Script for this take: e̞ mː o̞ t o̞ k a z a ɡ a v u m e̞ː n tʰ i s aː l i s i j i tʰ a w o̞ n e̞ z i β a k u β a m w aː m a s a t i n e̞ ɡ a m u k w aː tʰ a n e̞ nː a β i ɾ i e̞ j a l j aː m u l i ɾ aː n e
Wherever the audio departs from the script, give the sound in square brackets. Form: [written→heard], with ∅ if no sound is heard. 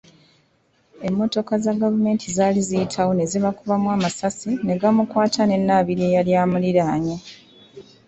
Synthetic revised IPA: e̞ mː o̞ t o̞ k a z a ɡ a v u m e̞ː n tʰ i [s→z] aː l i [s→z] i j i tʰ a w o̞ n e̞ z i β a k u β a m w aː m a s a [t→s] i n e̞ ɡ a m u k w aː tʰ a n e̞ nː a β i ɾ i e̞ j a l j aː m u l i ɾ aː [n→ɲ] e